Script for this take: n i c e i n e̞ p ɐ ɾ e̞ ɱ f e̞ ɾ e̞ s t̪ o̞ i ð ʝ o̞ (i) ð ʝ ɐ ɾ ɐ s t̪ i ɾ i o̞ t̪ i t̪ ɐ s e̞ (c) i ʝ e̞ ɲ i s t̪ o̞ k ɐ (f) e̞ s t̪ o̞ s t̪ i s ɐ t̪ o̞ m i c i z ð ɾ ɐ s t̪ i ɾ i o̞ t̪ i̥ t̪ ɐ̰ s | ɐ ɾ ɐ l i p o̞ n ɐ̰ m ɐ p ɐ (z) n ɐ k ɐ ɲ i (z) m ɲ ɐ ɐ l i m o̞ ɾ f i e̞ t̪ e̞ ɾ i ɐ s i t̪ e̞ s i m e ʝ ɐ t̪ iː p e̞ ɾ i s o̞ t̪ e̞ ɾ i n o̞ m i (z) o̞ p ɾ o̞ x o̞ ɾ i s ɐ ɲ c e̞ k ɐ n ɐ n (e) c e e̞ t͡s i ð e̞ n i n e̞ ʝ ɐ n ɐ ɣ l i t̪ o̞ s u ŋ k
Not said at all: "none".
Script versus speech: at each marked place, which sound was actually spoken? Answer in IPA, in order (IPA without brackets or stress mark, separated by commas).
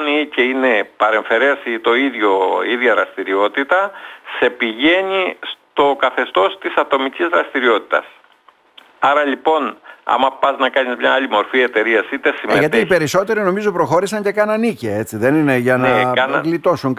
i, p, θ, z, z, z, i